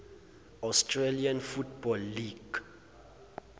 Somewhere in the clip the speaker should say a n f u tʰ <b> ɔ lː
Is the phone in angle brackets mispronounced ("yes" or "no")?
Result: no